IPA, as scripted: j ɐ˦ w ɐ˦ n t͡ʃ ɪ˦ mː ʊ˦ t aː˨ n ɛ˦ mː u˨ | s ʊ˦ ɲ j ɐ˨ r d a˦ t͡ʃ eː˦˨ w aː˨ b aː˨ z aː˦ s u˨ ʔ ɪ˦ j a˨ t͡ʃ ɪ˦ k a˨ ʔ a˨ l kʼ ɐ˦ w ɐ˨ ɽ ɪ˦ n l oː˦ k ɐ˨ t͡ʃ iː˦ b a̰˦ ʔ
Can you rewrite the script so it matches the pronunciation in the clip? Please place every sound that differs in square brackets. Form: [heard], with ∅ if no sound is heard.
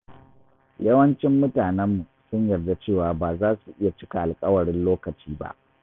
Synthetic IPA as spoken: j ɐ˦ w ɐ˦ n t͡ʃ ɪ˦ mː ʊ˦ t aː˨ n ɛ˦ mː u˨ | s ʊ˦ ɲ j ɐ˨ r d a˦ t͡ʃ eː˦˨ w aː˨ b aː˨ z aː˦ s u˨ ʔ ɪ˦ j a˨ t͡ʃ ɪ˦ k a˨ ʔ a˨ l kʼ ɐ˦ w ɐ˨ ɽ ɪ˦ n l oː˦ k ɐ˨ t͡ʃ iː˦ b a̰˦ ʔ